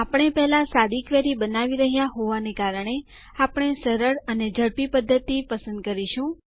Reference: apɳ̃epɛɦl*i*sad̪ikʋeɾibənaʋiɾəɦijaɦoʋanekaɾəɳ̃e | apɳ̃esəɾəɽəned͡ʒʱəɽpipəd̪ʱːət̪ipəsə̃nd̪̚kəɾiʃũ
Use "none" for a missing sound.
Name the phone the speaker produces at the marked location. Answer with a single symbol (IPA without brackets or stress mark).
a